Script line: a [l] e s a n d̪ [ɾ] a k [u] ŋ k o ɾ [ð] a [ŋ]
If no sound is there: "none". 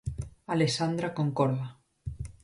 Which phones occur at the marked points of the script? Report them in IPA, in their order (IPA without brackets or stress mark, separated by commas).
l, ɾ, o, ð, none